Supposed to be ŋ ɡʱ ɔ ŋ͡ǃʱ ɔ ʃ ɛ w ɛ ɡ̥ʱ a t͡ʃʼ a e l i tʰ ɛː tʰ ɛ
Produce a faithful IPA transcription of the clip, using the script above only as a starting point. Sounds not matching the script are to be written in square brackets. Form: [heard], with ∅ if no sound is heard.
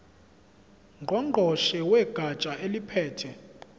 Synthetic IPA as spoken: ŋ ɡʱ ɔ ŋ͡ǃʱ ɔ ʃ ɛ w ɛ ɡ̥ʱ a t͡ʃʼ a e l i [pʰ] ɛː tʰ ɛ

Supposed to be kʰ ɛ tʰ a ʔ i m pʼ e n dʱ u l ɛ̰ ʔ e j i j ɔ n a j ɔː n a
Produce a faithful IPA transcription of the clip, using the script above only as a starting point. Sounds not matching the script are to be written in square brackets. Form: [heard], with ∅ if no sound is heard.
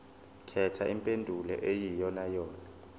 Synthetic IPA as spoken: kʰ ɛ tʰ a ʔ i m pʼ e n dʱ u l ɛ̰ ʔ e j i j ɔ n a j ɔː n a

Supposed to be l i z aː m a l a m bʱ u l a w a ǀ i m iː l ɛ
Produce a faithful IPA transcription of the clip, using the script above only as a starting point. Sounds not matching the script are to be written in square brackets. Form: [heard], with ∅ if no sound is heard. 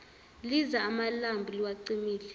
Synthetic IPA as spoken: l i z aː m a l a m bʱ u l [i] w a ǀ i m iː l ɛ

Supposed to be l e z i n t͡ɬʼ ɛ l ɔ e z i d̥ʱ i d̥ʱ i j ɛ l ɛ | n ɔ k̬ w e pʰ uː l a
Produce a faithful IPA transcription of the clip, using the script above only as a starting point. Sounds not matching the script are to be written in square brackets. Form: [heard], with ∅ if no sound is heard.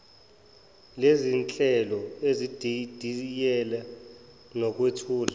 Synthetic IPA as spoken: l e z i n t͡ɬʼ ɛ l ɔ e z i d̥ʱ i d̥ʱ i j ɛ l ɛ | n ɔ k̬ w e [tʰ] uː l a

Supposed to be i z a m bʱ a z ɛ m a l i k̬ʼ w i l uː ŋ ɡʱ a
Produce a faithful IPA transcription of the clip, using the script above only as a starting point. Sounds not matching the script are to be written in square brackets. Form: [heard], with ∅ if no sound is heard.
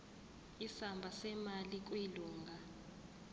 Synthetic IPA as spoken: i [s] a m bʱ a [s] ɛ m a l i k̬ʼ w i l uː ŋ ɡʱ a

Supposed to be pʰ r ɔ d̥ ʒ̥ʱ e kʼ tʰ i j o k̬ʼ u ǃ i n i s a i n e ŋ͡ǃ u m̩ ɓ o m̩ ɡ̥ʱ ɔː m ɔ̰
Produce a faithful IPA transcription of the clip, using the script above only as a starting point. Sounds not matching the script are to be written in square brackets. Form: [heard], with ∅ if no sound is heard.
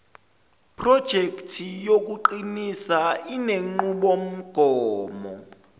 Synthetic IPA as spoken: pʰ r ɔ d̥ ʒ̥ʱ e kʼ tʰ i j o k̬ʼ u ǃ i n i s a i n e ŋ͡ǃ u [∅] ɓ o m̩ ɡ̥ʱ ɔː m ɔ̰

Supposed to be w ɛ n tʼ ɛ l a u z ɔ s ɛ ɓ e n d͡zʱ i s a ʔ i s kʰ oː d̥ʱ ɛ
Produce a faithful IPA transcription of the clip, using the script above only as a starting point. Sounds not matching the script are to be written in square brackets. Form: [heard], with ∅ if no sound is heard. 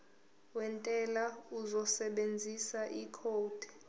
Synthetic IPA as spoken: w ɛ n tʼ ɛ l a u z ɔ s ɛ ɓ e n d͡zʱ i s a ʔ i [∅] kʰ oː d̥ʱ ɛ

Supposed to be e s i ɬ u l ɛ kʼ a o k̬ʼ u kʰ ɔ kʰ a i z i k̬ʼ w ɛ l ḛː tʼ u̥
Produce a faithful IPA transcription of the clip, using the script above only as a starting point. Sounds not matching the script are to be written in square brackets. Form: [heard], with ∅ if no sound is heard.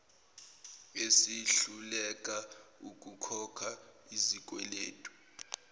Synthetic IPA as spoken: e s i ɬ u l ɛ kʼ a [u] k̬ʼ u kʰ ɔ kʰ a i z i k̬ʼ w ɛ l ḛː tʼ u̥

